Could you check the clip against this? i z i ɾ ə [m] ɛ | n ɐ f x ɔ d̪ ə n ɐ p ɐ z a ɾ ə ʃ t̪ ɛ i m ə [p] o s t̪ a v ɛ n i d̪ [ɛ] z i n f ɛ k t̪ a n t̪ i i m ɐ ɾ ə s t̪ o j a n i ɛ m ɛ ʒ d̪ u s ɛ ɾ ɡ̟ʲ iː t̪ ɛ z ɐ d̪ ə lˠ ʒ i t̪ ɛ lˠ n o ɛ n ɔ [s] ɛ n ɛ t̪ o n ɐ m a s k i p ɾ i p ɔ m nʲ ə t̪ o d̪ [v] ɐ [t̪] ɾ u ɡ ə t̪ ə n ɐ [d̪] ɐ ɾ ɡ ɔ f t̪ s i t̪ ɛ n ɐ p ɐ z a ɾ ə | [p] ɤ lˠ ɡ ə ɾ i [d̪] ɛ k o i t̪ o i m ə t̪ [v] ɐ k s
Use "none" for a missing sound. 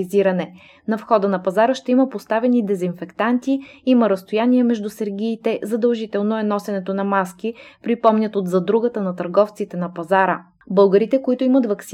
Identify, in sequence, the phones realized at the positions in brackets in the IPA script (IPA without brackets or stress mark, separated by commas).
n, p, ɛ, s, z, d̪, t̪, b, t̪, v